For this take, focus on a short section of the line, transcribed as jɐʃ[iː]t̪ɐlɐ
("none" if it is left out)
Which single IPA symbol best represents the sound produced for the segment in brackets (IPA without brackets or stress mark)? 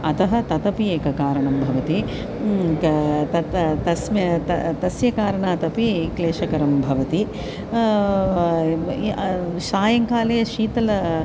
iː